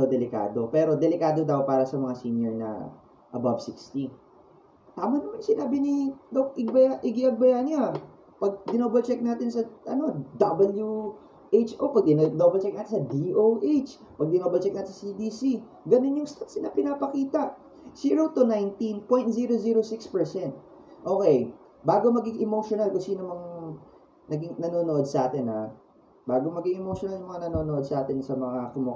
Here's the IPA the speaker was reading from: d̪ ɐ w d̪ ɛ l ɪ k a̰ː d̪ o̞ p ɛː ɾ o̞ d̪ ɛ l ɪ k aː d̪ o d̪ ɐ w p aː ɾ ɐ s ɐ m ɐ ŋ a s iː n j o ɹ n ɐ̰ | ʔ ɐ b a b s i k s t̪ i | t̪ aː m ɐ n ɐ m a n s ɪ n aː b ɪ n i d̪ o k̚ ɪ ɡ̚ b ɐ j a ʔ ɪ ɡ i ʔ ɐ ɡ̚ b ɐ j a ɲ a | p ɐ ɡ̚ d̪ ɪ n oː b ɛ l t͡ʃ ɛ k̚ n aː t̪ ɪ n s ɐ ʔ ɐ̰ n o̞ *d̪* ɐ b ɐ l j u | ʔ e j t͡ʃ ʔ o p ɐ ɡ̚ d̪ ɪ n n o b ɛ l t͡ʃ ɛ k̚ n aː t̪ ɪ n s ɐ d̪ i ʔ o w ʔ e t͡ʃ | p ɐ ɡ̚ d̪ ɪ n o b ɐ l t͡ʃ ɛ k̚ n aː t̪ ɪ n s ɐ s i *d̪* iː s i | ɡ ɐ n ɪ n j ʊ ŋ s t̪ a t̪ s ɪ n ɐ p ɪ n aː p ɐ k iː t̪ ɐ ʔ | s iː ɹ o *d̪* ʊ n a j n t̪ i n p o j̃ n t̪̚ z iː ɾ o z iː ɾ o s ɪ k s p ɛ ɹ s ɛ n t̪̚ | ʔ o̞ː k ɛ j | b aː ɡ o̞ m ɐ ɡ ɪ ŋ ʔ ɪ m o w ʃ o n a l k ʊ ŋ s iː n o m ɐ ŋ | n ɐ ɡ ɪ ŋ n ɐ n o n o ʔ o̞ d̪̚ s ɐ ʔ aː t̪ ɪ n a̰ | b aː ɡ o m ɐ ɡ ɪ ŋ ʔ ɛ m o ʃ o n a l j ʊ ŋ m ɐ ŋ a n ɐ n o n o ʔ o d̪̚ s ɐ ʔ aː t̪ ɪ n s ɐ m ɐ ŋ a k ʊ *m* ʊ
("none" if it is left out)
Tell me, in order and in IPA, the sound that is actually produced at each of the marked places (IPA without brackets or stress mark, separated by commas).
d̪, d̪, t̪, m